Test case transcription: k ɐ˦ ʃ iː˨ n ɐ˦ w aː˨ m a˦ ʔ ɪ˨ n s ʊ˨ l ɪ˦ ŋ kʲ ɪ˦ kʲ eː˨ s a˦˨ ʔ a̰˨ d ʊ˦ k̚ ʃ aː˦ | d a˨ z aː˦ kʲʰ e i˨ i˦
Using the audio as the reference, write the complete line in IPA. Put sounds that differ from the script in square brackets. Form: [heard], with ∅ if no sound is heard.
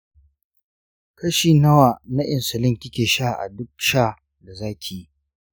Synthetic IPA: k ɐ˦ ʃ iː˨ n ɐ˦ w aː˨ [n] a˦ ʔ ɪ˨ n s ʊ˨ l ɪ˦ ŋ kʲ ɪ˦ kʲ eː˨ [ʃ] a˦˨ ʔ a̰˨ d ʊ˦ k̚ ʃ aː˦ | d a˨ z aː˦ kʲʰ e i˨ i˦